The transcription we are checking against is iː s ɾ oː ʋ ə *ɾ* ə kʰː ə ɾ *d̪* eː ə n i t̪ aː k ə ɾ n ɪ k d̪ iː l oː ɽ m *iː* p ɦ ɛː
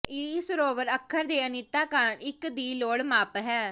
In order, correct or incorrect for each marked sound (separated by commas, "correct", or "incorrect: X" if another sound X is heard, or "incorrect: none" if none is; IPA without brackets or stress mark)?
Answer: correct, correct, incorrect: aː